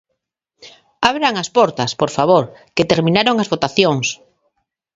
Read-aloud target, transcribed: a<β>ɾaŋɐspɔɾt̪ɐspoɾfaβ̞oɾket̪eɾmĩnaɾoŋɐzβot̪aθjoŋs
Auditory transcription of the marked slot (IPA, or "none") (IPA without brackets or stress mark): β